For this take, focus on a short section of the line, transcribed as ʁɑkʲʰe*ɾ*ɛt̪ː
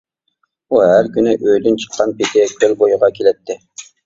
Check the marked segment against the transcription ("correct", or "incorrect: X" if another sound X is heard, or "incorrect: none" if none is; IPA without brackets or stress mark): incorrect: l